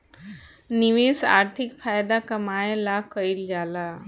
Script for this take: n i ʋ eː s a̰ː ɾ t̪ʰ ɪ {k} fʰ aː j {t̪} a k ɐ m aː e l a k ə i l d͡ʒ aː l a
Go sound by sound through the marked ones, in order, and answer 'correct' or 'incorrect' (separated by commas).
correct, incorrect